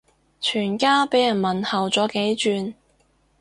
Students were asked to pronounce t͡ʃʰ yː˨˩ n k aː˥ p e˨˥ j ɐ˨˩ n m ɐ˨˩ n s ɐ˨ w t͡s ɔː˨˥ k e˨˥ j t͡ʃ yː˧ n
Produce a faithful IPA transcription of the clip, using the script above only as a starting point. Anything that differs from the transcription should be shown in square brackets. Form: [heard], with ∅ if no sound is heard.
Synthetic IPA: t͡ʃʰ yː˨˩ n k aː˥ p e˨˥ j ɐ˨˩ n m ɐ˨˩ n [h] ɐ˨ w t͡s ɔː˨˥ k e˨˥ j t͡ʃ yː˧ n